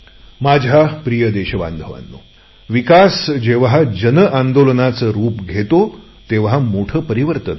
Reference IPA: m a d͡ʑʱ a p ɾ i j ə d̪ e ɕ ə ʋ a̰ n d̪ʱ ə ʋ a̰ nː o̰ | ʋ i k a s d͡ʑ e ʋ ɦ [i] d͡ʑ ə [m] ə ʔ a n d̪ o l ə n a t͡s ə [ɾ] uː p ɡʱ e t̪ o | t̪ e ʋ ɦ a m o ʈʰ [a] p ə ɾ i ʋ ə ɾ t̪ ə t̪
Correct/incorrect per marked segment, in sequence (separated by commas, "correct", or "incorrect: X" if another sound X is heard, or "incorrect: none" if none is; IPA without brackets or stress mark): incorrect: a, incorrect: n, correct, incorrect: ə